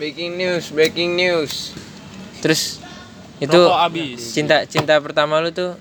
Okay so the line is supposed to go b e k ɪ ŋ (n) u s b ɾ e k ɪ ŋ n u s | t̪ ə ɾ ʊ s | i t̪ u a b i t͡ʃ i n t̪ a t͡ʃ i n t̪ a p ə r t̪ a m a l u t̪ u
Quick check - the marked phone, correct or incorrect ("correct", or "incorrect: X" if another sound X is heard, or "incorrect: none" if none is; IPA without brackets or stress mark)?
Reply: correct